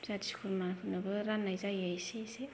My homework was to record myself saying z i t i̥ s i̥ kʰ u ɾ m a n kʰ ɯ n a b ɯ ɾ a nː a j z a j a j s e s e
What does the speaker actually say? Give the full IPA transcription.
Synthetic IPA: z a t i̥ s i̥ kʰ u ɾ m a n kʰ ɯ n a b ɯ ɾ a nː a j z a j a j s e s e

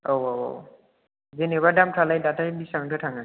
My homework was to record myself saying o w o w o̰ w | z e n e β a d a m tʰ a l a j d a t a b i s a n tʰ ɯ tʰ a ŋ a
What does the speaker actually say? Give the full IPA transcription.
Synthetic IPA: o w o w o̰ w | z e n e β a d a m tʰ a l a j d a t a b i s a ŋ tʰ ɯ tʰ a ŋ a

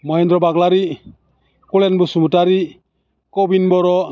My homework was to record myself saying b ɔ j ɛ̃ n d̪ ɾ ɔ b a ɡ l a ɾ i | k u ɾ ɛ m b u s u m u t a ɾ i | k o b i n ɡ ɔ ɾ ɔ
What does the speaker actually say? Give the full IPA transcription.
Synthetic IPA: m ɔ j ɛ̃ n d̪ ɾ ɔ b a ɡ l a ɾ i | k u l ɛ n b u s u m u t a ɾ i | k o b i n b ɔ ɾ ɔ

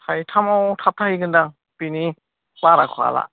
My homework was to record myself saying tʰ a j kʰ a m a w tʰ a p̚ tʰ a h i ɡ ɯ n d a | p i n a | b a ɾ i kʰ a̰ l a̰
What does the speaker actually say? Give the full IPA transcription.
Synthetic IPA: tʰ a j tʰ a m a w tʰ a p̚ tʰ a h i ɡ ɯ n d a | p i n i | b a ɾ a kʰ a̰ l a̰

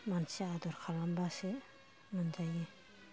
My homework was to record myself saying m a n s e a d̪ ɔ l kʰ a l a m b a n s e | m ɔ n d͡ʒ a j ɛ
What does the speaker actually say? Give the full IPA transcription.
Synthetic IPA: m a n s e a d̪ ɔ ɾ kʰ a l a m b a s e | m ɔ n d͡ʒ a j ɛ

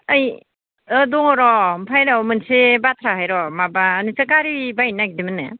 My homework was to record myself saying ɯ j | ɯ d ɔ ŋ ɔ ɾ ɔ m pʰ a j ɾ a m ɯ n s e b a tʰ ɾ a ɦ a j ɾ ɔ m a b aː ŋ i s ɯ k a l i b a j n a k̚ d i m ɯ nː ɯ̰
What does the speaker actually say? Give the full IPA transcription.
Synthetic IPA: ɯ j | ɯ d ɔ ŋ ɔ ɾ ɔ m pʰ a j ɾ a m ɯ n s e b a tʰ ɾ a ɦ a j ɾ ɔ m a b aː n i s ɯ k a ɾ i b a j n a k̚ d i m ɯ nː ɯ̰

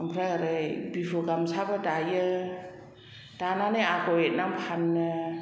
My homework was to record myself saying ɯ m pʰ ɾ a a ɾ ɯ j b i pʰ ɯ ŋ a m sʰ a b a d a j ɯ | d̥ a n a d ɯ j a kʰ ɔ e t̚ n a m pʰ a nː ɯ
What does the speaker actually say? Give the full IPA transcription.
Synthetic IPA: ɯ m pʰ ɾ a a ɾ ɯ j b i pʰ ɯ ɡ a m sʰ a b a d a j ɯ | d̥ a n a n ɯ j a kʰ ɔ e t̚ n a m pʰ a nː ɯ

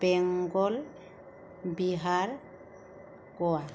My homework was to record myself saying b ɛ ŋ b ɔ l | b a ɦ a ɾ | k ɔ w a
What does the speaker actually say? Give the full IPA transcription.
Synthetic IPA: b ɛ ŋ ɡ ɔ l | b i ɦ a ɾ | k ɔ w a

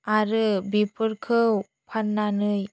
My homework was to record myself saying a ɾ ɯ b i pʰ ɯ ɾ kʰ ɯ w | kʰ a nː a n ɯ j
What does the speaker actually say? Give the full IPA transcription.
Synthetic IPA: a ɾ ɯ b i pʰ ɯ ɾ kʰ ɯ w | pʰ a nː a n ɯ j

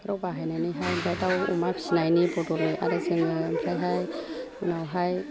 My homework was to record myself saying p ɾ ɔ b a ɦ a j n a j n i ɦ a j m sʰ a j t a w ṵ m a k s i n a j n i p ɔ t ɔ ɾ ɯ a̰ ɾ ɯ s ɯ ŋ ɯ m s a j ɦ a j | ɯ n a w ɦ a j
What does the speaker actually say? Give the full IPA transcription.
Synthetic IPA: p ɾ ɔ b a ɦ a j n a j n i ɦ a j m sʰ a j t a w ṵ m a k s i n a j n i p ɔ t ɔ ɾ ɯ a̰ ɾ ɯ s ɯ ŋ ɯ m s a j ɦ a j | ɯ n a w ɦ a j

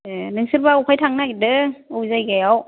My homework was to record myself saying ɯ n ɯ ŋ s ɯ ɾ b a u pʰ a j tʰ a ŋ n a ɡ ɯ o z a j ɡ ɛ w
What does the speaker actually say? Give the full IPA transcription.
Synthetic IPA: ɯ n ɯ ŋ s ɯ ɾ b a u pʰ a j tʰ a ŋ n a d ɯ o z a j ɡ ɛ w

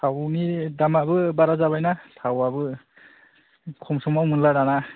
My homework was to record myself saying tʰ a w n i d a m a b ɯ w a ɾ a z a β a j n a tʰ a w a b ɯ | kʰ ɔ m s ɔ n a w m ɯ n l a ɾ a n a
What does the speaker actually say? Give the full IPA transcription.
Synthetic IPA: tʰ a w n i d a m a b ɯ b a ɾ a z a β a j n a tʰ a w a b ɯ | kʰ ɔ m s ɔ m a w m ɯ n l a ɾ a n a

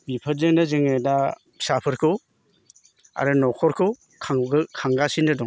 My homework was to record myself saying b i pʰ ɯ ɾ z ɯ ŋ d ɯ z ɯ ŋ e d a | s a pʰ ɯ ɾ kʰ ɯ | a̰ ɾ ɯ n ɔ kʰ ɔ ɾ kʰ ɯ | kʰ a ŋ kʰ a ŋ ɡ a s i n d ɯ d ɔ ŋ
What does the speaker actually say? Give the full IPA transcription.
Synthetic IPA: b i pʰ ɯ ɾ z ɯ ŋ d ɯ z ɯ ŋ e d a | s a pʰ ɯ ɾ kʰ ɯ | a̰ ɾ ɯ n ɔ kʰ ɔ ɾ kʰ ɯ | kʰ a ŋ kʰ a ŋ ɡ a s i n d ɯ d ɔ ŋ

